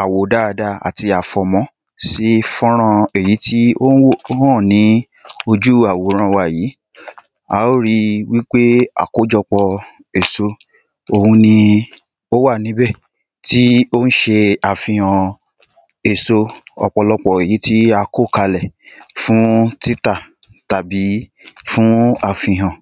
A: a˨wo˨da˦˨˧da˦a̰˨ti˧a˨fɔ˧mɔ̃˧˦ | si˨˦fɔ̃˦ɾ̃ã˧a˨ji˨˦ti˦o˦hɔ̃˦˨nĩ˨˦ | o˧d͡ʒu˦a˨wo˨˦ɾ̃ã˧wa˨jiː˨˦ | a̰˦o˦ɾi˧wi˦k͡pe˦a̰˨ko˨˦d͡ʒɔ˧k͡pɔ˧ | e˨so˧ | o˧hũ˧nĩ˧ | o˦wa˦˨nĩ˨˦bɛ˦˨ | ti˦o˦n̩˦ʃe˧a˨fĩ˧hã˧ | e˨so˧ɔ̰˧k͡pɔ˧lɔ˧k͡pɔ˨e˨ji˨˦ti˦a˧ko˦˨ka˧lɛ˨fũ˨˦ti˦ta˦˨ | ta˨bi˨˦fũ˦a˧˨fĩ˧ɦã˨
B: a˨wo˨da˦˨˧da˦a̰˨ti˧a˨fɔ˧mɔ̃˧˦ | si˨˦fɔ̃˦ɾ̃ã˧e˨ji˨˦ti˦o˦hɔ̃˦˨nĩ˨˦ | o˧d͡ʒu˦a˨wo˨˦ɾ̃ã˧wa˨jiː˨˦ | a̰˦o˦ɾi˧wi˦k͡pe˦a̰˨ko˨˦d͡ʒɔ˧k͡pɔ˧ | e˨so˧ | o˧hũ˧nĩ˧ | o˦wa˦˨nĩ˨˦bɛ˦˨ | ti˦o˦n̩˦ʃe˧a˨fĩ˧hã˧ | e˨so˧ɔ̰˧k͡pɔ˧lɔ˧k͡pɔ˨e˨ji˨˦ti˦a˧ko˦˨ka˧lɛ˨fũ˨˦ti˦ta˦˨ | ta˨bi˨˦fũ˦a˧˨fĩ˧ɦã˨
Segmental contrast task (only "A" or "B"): B